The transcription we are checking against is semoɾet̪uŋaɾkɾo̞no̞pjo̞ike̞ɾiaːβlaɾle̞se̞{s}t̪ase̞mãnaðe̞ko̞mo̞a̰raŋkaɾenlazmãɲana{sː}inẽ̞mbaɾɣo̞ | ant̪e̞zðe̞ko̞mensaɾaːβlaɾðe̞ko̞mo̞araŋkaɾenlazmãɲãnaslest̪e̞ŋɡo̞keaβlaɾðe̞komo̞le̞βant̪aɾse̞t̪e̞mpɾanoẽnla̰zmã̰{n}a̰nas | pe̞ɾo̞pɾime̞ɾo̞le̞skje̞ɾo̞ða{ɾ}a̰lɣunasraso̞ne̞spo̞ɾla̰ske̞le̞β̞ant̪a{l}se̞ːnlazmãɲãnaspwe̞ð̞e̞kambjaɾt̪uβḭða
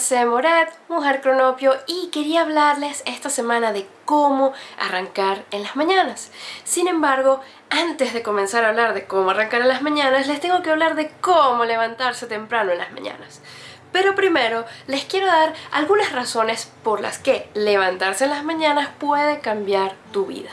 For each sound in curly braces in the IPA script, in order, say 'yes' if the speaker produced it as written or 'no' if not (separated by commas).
yes, yes, no, yes, no